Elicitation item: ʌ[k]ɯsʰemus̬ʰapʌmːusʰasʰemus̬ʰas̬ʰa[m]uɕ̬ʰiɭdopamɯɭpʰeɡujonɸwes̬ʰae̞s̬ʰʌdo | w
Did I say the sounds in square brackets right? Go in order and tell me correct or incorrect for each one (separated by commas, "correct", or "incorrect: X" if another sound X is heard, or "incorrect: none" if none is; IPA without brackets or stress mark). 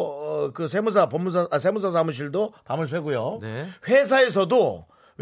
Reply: correct, correct